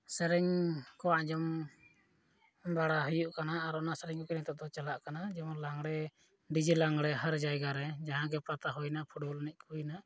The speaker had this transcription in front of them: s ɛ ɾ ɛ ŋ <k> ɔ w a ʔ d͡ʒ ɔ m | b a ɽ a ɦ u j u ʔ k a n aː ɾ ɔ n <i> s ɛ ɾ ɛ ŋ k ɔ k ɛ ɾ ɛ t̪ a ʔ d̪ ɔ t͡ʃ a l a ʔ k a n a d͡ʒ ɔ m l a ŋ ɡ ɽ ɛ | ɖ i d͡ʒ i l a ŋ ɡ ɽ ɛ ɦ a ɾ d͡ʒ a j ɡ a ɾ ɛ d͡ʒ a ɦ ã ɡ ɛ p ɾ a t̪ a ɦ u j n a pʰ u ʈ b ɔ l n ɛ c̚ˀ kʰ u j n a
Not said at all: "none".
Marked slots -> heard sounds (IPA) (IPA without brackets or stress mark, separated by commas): k, a